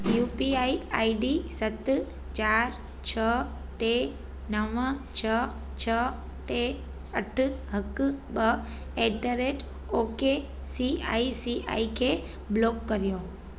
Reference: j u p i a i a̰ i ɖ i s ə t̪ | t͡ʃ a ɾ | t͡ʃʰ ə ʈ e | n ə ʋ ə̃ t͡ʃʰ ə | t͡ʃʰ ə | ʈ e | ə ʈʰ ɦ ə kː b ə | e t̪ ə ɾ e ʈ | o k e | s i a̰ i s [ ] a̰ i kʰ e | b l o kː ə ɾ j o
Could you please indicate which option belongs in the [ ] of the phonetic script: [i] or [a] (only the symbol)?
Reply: i